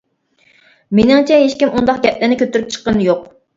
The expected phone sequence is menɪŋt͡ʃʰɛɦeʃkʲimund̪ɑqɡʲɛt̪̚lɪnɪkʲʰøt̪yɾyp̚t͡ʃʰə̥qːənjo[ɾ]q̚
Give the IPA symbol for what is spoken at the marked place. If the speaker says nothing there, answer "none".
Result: none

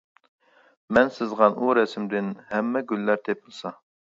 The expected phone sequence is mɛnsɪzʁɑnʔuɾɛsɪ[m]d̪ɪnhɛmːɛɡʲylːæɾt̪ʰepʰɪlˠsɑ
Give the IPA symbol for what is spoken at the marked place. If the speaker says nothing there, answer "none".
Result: m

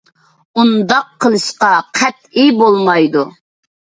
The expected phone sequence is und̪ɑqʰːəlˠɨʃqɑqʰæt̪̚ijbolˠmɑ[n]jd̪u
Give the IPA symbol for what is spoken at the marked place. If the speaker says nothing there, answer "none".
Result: none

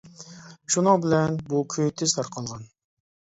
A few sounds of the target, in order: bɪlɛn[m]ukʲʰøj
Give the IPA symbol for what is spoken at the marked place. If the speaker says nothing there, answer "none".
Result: b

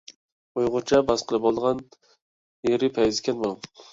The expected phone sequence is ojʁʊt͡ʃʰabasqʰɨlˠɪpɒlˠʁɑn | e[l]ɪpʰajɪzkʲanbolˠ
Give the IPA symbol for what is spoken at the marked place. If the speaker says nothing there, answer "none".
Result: ɾ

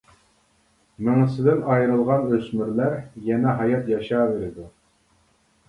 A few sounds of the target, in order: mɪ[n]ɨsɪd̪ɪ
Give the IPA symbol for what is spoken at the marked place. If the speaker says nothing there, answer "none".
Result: ŋ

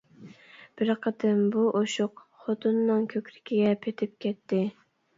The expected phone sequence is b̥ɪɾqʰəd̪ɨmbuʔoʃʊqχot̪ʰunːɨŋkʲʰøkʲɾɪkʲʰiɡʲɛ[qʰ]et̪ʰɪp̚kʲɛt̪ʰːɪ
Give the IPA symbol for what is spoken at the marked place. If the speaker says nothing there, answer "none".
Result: pʰ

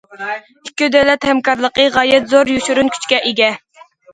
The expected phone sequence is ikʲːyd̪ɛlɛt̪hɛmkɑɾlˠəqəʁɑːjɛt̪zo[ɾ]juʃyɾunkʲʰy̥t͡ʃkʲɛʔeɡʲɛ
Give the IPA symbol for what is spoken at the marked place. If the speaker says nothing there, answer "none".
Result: ɾ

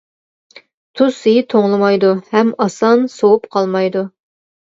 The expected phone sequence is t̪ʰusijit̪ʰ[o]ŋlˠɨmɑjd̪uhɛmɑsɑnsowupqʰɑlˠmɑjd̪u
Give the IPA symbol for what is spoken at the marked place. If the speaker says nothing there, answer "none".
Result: o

